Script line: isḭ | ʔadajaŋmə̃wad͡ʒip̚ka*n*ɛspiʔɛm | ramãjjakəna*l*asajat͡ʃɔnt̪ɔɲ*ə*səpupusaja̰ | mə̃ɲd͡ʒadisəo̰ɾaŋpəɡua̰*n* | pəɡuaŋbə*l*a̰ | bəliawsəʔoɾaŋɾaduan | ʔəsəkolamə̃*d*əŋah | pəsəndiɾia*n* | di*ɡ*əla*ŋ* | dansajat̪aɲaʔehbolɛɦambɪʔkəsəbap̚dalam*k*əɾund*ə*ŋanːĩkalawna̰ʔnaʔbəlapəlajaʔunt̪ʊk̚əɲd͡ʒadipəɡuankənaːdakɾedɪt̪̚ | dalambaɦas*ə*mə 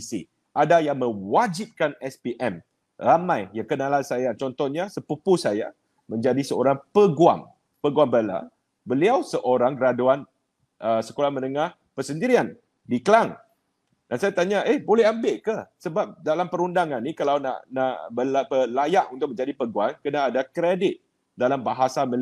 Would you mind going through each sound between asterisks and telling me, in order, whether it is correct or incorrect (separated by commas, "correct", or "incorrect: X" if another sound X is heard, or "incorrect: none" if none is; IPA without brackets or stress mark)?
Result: correct, correct, incorrect: a, incorrect: ŋ, correct, incorrect: n, correct, incorrect: k, correct, incorrect: p, incorrect: a, incorrect: a